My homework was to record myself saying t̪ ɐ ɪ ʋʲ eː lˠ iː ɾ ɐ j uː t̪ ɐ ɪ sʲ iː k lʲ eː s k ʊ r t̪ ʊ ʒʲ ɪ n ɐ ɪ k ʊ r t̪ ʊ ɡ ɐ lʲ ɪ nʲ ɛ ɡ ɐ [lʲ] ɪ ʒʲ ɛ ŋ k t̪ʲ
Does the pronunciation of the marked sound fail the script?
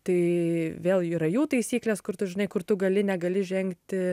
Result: no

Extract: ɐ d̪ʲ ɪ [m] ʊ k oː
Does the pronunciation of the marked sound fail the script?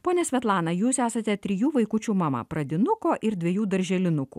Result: yes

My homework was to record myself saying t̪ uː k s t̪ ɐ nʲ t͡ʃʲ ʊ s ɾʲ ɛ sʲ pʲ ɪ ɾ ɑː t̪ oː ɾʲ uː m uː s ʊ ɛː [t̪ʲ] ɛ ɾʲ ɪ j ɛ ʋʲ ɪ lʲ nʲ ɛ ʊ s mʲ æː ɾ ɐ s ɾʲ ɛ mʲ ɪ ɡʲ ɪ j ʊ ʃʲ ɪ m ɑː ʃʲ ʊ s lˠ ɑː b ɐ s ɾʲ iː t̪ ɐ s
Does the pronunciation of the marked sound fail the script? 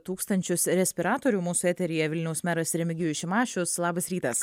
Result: no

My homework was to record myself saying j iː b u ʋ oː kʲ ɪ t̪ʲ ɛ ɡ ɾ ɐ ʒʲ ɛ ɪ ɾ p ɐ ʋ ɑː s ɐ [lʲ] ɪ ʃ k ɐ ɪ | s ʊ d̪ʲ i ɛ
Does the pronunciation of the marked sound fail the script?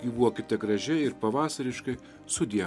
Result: yes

